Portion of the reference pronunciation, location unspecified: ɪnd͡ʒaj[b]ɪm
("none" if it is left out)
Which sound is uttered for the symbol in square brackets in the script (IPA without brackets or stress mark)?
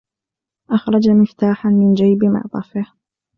b